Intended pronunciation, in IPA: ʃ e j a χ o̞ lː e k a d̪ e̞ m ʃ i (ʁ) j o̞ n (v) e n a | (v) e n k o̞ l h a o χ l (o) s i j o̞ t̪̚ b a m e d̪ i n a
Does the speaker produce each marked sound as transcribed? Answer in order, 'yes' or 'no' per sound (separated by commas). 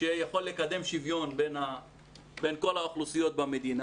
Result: no, no, no, no